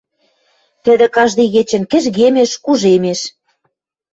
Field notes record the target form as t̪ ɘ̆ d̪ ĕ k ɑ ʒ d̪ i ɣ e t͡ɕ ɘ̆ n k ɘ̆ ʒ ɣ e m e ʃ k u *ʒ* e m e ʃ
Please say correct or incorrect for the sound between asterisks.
correct